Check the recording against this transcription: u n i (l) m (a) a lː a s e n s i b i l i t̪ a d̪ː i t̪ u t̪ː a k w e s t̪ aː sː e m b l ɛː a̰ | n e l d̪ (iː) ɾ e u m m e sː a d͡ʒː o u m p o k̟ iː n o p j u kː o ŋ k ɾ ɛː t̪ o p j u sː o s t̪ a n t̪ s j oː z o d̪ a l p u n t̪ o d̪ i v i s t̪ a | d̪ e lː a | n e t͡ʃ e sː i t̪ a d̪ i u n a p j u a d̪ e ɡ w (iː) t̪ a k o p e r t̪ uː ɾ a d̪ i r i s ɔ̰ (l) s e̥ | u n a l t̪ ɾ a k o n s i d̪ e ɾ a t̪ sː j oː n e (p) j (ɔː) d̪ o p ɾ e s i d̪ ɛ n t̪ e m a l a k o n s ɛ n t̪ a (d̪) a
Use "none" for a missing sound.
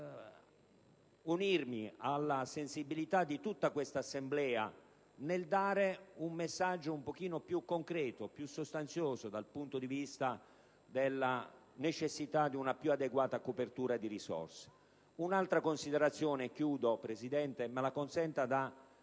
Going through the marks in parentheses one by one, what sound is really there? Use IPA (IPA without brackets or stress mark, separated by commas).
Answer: r, i, aː, aː, r, k, uː, d̪